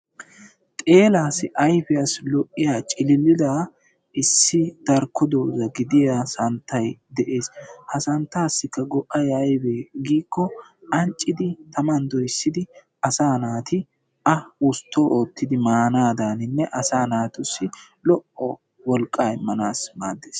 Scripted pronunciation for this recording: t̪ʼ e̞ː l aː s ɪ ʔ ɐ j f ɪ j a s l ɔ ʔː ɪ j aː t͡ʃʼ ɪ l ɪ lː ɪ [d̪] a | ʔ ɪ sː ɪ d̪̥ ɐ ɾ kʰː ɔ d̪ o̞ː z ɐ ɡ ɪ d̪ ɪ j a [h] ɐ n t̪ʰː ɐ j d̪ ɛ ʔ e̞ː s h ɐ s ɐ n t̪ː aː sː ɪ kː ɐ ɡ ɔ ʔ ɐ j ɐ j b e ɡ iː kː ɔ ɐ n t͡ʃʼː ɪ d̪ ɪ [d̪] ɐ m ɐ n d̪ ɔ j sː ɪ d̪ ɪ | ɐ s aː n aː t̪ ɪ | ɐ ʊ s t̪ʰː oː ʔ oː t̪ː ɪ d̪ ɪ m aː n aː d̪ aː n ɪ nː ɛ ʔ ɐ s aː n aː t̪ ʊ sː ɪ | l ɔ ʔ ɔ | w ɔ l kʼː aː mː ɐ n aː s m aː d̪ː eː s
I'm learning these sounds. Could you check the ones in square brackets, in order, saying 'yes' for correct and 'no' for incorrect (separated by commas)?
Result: yes, no, no